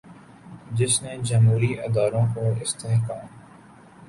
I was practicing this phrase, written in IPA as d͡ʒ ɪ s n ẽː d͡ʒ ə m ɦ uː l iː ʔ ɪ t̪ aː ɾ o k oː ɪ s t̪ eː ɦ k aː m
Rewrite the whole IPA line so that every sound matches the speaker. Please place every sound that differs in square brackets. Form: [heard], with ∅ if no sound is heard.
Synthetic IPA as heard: d͡ʒ ɪ s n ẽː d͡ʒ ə m ɦ uː [ɾ] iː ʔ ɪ [d̪] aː ɾ [õ] k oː ɪ s t̪ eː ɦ k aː m